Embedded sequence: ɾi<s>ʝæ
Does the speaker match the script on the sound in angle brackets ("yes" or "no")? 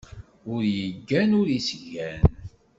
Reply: yes